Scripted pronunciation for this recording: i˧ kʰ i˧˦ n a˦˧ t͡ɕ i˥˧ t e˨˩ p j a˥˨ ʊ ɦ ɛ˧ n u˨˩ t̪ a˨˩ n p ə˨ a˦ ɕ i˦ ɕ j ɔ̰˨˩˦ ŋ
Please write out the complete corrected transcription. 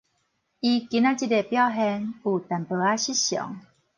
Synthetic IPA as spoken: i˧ k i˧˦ n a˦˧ t͡ɕ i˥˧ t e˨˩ p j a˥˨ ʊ ɦ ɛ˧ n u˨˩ t̪ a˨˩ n p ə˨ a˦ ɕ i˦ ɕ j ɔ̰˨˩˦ ŋ

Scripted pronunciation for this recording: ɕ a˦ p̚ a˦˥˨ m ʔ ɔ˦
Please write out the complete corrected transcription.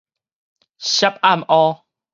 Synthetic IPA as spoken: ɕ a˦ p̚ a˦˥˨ m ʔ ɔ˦

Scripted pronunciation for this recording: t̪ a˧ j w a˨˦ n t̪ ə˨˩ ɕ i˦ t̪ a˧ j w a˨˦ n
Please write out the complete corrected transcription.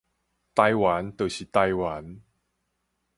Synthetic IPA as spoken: t̪ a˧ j w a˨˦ n t̪ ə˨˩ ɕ i˨ t̪ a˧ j w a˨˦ n

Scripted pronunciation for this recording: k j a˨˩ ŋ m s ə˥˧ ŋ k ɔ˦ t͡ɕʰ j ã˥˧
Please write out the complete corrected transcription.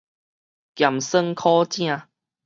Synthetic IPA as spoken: k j a˨˩ m s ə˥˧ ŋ kʰ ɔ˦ t͡ɕ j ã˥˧

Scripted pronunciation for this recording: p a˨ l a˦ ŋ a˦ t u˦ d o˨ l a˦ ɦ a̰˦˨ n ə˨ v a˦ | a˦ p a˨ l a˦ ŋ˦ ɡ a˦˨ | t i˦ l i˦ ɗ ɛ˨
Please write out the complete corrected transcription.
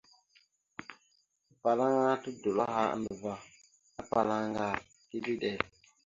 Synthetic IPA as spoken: p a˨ l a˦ ŋ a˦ t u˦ d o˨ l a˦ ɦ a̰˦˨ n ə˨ v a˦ | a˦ p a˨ l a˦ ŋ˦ ɡ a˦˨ | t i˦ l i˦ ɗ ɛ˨

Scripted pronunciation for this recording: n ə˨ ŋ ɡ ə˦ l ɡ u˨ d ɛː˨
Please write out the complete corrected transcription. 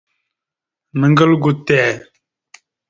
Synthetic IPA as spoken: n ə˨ ŋ ɡ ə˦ l ɡ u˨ t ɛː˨

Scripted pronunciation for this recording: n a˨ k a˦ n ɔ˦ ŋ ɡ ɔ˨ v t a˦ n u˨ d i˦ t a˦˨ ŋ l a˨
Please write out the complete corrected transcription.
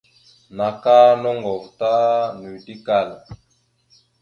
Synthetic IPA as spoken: n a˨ k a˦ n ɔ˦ ŋ ɡ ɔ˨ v t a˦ n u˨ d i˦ k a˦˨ l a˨

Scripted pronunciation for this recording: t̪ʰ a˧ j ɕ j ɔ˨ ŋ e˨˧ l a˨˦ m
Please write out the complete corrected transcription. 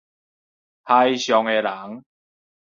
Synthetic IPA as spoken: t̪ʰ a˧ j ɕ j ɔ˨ ŋ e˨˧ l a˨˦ ŋ

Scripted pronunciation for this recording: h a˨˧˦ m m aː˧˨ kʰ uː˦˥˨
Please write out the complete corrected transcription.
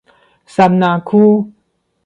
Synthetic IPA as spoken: s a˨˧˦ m n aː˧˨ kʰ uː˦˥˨

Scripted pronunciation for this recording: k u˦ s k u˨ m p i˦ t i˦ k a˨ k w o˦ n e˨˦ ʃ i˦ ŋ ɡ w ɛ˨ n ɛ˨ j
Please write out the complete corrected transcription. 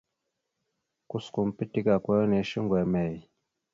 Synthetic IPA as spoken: k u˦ s k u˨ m p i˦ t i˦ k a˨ k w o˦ n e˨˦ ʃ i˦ ŋ ɡ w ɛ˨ m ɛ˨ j

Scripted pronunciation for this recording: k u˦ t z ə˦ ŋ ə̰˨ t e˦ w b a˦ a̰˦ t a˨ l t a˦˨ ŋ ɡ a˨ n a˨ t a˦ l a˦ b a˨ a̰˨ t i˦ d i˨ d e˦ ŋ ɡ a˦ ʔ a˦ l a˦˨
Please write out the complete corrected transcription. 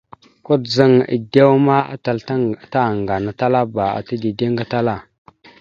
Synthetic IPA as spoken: k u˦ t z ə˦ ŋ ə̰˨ d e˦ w m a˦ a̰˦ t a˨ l t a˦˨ ŋ ɡ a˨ n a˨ t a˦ l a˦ b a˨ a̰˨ t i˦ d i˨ d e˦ ŋ ɡ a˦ t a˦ l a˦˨

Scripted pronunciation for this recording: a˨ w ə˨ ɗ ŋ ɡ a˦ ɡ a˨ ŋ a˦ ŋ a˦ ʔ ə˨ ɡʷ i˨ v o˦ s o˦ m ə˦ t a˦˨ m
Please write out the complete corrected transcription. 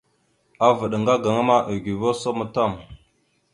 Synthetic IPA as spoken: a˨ v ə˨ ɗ ŋ ɡ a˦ ɡ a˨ ŋ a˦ m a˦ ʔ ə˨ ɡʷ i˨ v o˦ s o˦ m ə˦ t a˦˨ m

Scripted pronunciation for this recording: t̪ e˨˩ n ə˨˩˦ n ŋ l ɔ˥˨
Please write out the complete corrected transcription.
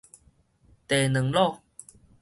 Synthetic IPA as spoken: t̪ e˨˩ n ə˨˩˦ ŋ l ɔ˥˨

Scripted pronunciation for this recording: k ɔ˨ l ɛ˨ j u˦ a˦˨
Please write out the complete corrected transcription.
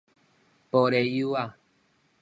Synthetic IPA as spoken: p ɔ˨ ɾ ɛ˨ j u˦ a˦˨

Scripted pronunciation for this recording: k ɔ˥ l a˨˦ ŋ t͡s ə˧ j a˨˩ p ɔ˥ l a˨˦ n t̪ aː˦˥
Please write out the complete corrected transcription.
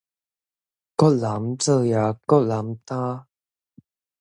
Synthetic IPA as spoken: k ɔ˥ l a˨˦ m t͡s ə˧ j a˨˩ k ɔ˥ l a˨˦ m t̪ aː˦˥

